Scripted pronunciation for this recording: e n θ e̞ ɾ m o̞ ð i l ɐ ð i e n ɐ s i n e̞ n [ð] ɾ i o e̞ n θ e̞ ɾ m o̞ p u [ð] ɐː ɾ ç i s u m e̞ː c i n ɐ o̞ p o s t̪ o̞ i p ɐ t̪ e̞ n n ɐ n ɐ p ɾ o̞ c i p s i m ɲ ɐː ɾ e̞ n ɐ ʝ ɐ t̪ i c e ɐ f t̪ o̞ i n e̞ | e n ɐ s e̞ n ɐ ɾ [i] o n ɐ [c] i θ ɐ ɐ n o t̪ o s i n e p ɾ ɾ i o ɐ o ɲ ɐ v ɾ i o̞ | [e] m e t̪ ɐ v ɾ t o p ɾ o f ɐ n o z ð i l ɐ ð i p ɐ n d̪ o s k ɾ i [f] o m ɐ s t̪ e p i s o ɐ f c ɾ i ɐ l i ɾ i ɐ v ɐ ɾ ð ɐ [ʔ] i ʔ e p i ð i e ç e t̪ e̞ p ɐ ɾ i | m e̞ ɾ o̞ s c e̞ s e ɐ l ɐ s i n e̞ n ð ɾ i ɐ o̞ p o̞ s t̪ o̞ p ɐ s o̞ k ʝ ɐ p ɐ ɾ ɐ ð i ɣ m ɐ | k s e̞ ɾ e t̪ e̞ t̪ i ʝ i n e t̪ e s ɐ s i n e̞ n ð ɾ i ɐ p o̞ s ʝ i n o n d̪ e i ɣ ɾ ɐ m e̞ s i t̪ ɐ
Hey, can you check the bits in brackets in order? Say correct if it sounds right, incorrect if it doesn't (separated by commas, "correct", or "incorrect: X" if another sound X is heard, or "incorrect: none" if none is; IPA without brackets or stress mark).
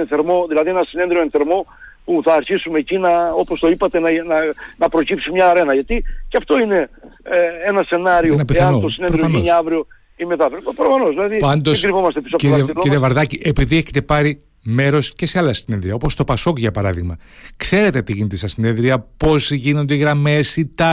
correct, incorrect: θ, correct, incorrect: p, incorrect: i, incorrect: v, incorrect: c